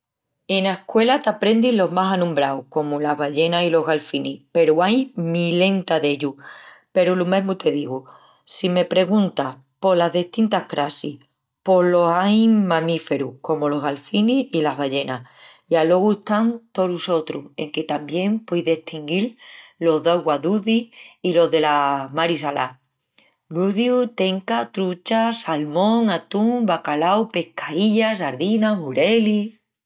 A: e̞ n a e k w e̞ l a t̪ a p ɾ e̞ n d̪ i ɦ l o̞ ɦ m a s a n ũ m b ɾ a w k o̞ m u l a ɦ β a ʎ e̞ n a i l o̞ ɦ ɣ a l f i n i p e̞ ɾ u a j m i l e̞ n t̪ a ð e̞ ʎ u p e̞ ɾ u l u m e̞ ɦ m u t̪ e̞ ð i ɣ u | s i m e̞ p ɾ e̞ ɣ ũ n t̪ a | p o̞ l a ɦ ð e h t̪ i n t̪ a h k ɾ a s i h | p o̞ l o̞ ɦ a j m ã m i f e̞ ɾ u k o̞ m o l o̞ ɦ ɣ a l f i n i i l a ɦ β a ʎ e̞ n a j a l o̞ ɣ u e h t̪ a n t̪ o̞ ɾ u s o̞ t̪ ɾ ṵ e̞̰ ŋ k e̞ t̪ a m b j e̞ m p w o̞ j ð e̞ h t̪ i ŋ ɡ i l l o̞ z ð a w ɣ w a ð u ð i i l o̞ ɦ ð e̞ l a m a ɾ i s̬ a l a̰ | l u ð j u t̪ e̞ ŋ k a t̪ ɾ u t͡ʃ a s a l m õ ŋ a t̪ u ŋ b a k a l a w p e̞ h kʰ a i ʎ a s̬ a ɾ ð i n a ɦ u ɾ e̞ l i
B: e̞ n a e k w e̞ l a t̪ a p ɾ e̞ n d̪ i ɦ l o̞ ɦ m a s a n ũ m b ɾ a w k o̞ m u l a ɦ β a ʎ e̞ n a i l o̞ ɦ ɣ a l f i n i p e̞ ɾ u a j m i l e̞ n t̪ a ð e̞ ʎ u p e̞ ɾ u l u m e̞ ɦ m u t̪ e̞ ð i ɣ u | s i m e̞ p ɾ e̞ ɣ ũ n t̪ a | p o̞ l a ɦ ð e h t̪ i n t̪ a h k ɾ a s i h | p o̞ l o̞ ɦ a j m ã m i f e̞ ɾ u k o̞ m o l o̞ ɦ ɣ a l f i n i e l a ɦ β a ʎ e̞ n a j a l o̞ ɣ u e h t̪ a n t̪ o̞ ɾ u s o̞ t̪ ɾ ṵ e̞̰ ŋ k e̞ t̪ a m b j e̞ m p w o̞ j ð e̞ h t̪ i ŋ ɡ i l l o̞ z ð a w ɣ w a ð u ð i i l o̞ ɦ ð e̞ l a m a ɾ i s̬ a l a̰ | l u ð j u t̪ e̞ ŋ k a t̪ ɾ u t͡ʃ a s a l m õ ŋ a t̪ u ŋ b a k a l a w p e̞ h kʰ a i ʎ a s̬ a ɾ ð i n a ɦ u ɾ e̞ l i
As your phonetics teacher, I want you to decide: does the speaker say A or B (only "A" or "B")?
A